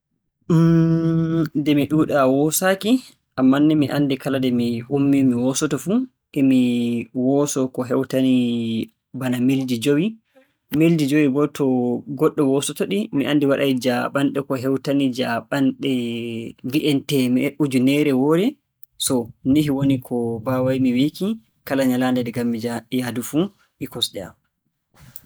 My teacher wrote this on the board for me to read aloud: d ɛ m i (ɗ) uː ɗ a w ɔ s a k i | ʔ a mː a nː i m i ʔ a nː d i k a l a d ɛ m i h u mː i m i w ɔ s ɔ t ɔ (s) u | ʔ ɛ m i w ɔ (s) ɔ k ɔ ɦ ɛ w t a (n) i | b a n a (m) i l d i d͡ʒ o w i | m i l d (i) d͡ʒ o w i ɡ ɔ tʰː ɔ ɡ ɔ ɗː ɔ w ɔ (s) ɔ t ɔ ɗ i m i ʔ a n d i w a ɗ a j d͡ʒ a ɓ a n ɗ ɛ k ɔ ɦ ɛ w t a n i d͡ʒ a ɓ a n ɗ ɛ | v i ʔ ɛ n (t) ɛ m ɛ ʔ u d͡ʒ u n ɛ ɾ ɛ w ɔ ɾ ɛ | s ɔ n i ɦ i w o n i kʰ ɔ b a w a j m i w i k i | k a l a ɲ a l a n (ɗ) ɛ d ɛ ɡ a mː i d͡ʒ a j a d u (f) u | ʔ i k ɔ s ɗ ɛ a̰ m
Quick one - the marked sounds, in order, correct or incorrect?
correct, incorrect, correct, correct, correct, correct, correct, correct, incorrect, correct

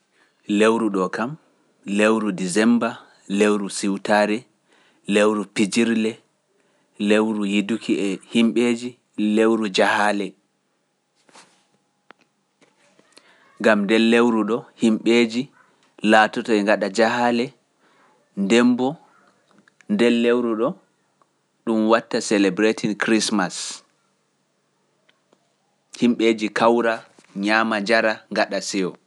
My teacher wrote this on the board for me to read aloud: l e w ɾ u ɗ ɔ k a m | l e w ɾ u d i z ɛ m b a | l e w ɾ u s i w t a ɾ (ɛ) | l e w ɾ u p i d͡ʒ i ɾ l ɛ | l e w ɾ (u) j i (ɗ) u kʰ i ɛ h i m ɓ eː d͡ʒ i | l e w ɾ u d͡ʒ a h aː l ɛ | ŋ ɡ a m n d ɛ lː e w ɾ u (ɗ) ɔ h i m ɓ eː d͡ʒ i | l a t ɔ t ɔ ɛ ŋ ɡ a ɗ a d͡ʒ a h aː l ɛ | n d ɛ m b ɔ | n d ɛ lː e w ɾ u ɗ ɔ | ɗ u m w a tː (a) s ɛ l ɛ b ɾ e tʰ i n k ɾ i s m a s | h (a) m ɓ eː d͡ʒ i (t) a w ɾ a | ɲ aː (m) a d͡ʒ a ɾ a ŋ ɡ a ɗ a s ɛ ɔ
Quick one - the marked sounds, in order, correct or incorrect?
correct, correct, incorrect, correct, correct, incorrect, incorrect, correct

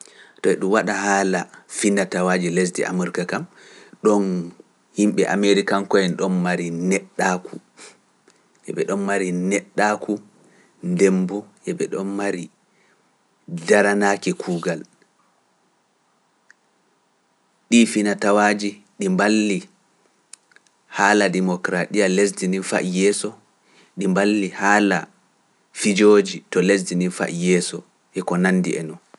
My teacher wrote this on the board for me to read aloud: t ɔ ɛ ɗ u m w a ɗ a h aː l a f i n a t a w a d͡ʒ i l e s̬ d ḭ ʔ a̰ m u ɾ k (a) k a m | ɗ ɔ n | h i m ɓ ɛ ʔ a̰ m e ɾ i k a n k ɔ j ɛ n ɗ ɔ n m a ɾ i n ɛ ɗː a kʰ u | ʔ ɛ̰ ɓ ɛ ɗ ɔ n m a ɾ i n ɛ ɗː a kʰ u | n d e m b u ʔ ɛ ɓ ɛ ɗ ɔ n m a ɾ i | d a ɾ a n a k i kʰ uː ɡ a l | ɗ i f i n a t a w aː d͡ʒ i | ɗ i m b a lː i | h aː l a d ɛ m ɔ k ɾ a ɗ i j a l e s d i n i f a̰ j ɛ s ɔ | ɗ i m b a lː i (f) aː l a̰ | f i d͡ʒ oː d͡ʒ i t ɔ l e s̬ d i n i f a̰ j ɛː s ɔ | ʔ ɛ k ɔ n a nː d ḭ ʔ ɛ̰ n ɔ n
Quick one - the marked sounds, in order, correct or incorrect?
correct, incorrect

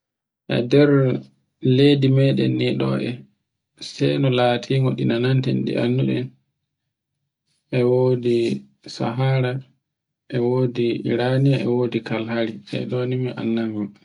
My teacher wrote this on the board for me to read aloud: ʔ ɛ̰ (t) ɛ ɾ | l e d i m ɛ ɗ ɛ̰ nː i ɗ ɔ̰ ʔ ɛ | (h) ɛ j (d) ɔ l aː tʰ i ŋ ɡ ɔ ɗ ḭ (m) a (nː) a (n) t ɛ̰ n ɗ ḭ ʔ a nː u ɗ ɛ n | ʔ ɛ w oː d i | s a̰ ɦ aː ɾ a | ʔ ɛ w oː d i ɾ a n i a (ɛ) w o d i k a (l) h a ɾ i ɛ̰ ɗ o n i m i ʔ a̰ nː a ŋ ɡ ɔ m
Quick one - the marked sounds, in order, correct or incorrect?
incorrect, incorrect, incorrect, incorrect, incorrect, correct, correct, correct

